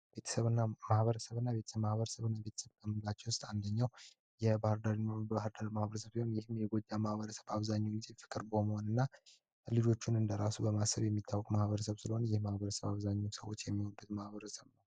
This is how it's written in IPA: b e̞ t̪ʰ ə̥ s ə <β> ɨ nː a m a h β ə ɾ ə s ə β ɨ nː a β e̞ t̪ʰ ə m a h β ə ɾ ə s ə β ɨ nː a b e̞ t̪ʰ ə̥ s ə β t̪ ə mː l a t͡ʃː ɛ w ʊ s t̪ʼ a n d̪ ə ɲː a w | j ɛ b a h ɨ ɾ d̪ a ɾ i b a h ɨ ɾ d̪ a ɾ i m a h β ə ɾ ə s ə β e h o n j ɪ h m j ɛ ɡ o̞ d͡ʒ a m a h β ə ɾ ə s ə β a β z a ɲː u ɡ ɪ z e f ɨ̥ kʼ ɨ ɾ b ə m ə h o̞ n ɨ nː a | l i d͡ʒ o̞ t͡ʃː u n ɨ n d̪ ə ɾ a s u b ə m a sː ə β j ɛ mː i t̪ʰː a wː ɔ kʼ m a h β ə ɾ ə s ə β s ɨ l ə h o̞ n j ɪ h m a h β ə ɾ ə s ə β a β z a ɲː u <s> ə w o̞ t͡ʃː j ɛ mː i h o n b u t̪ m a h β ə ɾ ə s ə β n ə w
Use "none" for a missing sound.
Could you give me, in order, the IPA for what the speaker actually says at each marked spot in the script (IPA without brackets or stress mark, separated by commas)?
β, s